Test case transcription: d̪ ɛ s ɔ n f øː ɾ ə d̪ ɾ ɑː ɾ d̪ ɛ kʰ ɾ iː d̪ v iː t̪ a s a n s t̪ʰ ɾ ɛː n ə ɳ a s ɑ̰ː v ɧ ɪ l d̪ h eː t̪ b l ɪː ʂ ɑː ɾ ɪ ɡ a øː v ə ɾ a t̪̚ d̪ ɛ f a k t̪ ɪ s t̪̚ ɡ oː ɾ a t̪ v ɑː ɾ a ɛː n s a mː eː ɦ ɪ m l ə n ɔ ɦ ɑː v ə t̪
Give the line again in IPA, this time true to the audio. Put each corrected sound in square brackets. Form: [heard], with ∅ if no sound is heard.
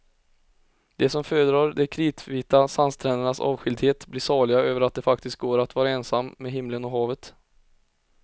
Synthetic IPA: d̪ ɛ s ɔ [m] f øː ɾ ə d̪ ɾ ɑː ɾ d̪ ɛ kʰ ɾ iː [t̪] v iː t̪ a s a n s t̪ʰ ɾ ɛː n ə ɳ a s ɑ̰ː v ɧ ɪ l d̪ h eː t̪ b l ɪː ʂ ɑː [ɭ] ɪ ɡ a øː v ə ɾ a t̪̚ d̪ ɛ f a k t̪ ɪ s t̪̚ ɡ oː ɾ a t̪ v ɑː ɾ a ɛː n s a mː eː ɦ ɪ m l ə n ɔ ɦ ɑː v ə t̪